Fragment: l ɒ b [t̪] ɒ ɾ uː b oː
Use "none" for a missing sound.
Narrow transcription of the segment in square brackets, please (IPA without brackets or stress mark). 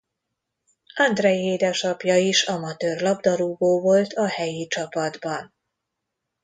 d̪